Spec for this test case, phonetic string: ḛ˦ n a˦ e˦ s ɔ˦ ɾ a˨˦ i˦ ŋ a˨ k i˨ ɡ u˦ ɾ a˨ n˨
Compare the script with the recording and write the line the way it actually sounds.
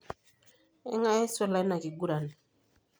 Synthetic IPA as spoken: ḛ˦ ŋ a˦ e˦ s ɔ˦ l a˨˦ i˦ n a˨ k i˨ ɡ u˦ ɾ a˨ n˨